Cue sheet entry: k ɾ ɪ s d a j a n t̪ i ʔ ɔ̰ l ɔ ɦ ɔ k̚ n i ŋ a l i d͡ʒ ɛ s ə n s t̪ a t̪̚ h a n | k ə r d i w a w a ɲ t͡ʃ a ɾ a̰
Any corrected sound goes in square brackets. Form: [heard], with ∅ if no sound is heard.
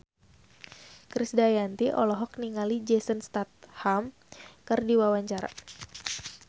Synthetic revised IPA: k ɾ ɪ s d a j a n t̪ i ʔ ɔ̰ l ɔ ɦ ɔ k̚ n i ŋ a l i d͡ʒ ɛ s ə n s t̪ a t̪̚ h a [m] | k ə r d i w a w a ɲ t͡ʃ a ɾ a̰